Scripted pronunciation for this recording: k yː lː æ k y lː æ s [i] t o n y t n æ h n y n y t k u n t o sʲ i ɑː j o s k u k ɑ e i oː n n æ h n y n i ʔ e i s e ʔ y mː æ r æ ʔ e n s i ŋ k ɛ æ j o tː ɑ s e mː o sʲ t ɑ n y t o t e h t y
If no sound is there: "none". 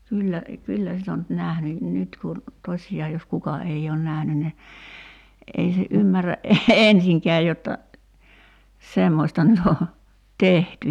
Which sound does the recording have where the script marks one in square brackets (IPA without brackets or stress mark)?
i